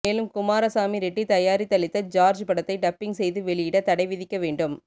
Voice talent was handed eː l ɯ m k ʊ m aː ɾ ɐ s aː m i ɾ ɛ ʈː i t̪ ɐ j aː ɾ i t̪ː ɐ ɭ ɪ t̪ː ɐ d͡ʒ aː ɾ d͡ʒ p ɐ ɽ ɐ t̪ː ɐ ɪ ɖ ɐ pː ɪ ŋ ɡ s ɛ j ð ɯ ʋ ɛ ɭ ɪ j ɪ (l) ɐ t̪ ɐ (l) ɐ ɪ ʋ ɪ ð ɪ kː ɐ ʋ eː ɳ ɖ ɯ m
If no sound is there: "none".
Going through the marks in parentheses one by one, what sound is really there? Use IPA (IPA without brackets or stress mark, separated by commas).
ɽ, ɽ